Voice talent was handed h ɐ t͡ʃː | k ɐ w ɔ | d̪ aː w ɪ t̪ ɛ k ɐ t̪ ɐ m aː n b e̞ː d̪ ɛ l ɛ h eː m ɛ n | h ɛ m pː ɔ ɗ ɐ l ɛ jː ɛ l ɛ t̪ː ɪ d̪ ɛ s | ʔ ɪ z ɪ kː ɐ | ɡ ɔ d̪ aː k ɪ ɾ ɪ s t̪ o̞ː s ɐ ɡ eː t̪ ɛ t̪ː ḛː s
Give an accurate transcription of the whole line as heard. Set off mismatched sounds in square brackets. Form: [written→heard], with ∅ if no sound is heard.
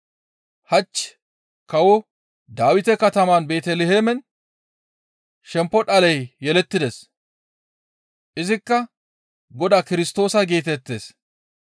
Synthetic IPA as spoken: h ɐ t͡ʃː | k ɐ w ɔ | d̪ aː w ɪ t̪ ɛ k ɐ t̪ ɐ m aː n b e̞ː [d̪→t̪] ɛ l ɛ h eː m ɛ n | [h→ʃ] ɛ m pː ɔ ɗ ɐ l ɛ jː ɛ l ɛ t̪ː ɪ d̪ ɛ s | ʔ ɪ z ɪ kː ɐ | ɡ ɔ d̪ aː k ɪ ɾ ɪ s t̪ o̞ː s ɐ ɡ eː t̪ ɛ t̪ː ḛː s